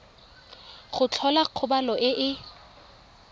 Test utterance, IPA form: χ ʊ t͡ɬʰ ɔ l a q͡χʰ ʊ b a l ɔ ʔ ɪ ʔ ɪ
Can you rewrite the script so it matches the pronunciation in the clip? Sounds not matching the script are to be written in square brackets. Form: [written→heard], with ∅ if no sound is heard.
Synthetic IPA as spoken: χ ʊ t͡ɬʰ ɔ l a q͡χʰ ʊ b a l ɔ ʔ ɪ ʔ ɪ